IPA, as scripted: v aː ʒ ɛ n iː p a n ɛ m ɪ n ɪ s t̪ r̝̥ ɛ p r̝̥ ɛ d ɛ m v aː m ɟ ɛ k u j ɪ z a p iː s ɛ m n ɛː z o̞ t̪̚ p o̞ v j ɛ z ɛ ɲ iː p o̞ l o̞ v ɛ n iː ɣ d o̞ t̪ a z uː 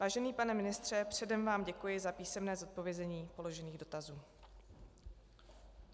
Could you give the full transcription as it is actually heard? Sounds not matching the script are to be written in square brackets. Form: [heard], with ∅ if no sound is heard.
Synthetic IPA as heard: v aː ʒ ɛ n iː p a n ɛ m ɪ n ɪ s t̪ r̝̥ ɛ p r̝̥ ɛ d ɛ m v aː m ɟ ɛ k u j ɪ z a p iː s ɛ m n ɛː z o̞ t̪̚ p o̞ v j ɛ z ɛ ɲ iː p o̞ l o̞ [ʒ] ɛ n iː ɣ d o̞ t̪ a z uː